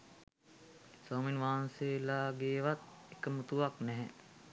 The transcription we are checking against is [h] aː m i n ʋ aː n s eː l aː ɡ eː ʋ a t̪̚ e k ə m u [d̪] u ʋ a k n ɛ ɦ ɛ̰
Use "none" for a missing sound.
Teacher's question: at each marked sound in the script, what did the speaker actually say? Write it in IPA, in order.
s, t̪

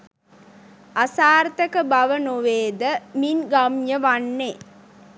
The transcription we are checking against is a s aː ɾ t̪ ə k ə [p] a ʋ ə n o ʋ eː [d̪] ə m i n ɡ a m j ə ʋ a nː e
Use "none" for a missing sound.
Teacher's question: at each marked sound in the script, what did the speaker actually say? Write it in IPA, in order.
b, d̪

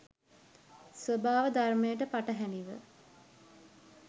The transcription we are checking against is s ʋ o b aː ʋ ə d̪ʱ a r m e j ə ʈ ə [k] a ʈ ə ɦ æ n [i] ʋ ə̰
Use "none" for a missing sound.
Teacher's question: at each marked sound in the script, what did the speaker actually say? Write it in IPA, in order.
p, i

